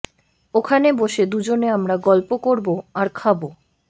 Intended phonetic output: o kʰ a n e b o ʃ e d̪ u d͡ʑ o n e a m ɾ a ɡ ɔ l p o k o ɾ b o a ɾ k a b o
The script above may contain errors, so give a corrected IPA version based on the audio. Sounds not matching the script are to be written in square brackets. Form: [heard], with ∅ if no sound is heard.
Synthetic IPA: o kʰ a n e b o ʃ e d̪ u d͡ʑ o n e a m ɾ a ɡ ɔ l p o k o ɾ b o a ɾ [kʰ] a b o